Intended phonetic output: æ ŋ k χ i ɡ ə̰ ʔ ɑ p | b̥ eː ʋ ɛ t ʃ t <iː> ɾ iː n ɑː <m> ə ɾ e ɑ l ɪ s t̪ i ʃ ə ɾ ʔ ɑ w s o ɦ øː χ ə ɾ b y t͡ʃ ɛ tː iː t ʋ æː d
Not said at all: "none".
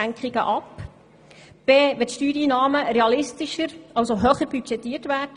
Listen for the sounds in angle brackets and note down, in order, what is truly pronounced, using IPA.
yː, m

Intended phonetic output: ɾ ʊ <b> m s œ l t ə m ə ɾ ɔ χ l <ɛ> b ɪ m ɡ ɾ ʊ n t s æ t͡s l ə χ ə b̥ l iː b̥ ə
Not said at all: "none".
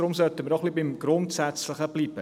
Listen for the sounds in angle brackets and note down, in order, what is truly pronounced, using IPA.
none, i

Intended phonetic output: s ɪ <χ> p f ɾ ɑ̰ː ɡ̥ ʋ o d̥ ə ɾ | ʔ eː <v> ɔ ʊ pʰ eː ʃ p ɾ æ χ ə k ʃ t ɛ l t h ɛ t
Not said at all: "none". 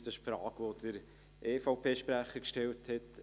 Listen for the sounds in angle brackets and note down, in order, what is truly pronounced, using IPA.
ʃ, f

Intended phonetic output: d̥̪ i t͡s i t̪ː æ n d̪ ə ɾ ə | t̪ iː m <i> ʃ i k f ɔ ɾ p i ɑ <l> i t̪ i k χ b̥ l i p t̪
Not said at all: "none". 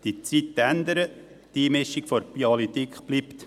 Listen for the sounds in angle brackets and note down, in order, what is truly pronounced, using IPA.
ɪ, l

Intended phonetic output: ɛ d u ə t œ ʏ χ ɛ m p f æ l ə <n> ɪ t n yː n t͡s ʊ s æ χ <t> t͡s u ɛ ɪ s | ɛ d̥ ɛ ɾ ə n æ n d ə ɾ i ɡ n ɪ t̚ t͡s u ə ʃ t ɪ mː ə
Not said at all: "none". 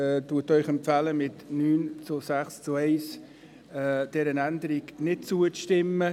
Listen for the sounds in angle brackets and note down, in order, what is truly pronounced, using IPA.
m, s

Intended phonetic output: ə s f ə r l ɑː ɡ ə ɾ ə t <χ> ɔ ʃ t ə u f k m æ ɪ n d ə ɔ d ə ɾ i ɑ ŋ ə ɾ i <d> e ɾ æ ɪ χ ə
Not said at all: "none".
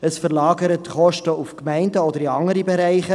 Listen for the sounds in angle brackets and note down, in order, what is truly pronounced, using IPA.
χ, b

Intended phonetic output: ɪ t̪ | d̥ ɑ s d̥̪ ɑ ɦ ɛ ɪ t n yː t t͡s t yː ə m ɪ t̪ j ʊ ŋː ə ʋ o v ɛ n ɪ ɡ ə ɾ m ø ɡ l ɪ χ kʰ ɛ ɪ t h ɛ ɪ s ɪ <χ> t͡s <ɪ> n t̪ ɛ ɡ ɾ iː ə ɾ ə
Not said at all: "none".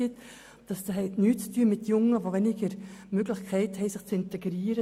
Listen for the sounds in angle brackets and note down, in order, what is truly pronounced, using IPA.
χ, ɪ

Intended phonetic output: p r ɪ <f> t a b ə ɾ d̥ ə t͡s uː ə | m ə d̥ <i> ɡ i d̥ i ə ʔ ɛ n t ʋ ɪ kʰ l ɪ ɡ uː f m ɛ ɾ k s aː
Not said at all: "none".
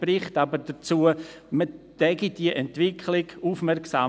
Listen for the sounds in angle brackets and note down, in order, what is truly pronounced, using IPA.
χ, ɛ

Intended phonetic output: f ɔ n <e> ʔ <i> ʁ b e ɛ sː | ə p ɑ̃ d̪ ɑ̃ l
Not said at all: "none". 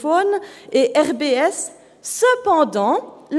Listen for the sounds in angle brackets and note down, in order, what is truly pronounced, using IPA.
e, ɛ

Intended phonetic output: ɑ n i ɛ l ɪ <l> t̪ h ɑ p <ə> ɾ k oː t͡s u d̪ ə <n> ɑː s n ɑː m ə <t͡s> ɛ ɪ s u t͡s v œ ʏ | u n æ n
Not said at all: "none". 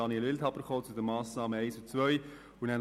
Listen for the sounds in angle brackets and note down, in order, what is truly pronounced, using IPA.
l, ə, m, none

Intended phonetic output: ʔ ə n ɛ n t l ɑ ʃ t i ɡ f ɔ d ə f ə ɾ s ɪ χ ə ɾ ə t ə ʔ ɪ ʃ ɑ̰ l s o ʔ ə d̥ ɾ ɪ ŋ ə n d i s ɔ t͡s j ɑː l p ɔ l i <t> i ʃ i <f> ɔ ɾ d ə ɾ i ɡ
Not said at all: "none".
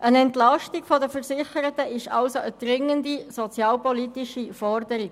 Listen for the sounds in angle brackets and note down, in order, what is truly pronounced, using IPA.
t, f

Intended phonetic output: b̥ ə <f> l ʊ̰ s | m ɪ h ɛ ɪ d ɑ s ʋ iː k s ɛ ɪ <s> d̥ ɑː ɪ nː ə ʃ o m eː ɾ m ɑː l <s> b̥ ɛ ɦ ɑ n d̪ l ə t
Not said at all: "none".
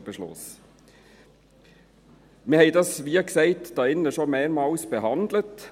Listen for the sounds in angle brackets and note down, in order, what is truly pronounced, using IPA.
ʃ, t, s

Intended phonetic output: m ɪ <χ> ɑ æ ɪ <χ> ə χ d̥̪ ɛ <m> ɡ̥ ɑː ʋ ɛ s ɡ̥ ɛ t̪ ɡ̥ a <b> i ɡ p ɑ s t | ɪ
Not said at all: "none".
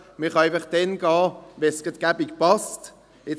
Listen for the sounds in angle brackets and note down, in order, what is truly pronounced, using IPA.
χ, f, n, b

